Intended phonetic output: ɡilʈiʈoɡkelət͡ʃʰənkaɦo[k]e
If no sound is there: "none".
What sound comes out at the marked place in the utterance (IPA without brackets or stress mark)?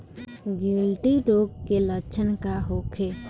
kʰ